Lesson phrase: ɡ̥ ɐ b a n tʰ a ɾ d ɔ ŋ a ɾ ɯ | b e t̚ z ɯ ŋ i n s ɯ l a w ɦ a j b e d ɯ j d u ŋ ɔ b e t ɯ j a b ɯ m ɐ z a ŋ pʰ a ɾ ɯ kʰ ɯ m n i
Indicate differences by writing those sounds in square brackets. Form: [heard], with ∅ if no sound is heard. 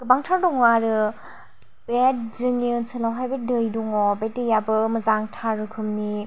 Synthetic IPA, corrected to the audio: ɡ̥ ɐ b a [ŋ] tʰ a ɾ d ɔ ŋ a ɾ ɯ | b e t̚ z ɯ ŋ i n s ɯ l a w ɦ a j b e d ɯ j d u ŋ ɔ b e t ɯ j a b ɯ m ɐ z a ŋ [tʰ] a ɾ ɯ kʰ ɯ m n i

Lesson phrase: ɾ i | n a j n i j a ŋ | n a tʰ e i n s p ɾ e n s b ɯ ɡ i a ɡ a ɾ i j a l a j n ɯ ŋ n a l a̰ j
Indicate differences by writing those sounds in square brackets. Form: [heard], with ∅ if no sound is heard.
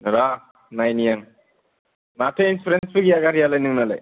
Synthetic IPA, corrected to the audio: ɾ [a] | n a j n i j a ŋ | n a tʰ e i n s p ɾ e n s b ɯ ɡ i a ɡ a ɾ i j a l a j n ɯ ŋ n a l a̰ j

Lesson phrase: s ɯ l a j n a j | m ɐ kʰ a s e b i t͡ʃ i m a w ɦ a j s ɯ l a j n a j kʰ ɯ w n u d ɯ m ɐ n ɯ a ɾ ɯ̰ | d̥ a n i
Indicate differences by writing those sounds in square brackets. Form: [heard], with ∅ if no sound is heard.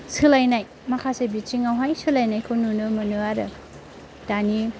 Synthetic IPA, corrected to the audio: s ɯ l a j n a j | m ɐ kʰ a s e b i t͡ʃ i [ŋ] a w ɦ a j s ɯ l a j n a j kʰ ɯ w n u [n] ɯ m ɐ n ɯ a ɾ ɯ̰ | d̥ a n i

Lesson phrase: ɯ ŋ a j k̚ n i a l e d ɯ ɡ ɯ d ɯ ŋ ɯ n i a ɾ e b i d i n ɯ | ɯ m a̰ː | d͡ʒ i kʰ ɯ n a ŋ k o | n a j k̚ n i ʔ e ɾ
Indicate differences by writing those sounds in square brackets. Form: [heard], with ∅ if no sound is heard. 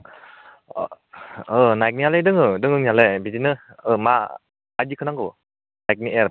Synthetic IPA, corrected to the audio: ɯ [n] a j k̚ n i a l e d ɯ [ŋ] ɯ d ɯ ŋ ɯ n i a [l] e b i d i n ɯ | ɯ m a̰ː | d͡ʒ i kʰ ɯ n a ŋ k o | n a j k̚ n i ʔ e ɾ

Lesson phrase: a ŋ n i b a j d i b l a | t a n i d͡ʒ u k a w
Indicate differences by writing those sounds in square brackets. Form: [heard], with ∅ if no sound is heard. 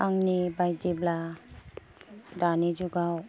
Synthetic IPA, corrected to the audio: a ŋ n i b a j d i b l a | [d] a n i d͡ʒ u [ɡ] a w

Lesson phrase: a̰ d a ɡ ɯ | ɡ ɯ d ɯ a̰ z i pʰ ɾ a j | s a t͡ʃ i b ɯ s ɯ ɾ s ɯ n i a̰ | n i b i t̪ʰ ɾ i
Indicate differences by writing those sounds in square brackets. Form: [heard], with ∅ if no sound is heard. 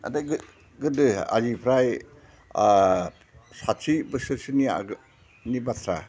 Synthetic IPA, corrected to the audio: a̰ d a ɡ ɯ | ɡ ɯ d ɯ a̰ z i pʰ ɾ a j | s a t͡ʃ i b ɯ s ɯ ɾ s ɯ n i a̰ | n i b [a] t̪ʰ ɾ [a]

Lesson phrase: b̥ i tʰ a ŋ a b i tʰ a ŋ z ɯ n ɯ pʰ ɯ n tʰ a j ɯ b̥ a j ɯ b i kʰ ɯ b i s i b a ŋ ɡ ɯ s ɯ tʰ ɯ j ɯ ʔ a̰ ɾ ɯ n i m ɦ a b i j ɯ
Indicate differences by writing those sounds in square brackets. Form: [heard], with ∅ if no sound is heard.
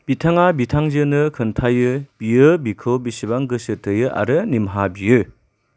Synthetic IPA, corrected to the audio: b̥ i tʰ a ŋ a b i tʰ a ŋ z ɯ n ɯ [kʰ] ɯ n tʰ a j ɯ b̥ [i] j ɯ b i kʰ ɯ b i s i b a ŋ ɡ ɯ s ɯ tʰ ɯ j ɯ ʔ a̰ ɾ ɯ n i m ɦ a b i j ɯ

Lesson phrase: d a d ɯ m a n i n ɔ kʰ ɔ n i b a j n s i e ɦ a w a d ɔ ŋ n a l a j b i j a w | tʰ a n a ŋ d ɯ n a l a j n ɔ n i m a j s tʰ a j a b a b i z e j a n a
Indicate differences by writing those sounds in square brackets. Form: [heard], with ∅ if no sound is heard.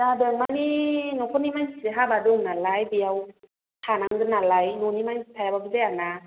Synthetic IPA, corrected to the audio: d a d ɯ m a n i n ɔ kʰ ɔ n i [m] a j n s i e ɦ a [b] a d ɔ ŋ n a l a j b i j a w | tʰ a n a ŋ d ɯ n a l a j n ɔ n i m a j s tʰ a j a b a b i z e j a n a

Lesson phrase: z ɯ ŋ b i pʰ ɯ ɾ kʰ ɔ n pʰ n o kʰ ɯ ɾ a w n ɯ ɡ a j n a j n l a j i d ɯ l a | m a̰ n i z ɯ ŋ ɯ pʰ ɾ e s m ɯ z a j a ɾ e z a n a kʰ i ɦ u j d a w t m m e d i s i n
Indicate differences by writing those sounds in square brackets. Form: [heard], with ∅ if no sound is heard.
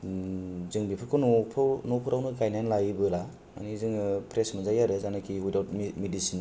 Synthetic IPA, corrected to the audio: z ɯ ŋ b i pʰ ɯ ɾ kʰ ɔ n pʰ n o [pʰ] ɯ ɾ a w n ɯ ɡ a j n a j n l a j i [b] ɯ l a | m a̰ n i z ɯ ŋ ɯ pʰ ɾ e s m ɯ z a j a ɾ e z a n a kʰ i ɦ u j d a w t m m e d i s i n

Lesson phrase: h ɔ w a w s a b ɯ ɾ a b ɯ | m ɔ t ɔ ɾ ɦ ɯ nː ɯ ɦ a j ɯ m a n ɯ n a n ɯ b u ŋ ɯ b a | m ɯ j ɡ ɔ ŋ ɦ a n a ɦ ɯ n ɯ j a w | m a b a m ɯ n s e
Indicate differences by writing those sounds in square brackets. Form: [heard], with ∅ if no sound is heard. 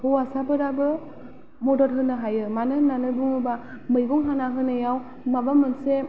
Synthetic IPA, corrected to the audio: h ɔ w a [∅] s a b ɯ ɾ a b ɯ | m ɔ [d] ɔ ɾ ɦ ɯ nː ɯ ɦ a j ɯ m a n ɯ n a n ɯ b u ŋ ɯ b a | m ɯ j ɡ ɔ ŋ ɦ a n a ɦ ɯ n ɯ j a w | m a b a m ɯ n s e

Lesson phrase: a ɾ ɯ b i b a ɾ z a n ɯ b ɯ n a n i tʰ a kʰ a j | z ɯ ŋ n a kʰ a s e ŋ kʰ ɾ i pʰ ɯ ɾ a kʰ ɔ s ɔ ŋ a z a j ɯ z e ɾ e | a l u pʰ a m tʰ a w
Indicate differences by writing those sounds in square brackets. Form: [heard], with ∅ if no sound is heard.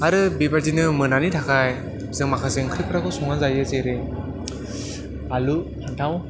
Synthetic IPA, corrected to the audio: a ɾ ɯ b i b a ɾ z [i] n ɯ [m] ɯ n a n i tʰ a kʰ a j | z ɯ ŋ [m] a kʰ a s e ŋ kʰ ɾ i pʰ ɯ ɾ a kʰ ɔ s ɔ ŋ a z a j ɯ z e ɾ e | a l u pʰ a [n] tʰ a w

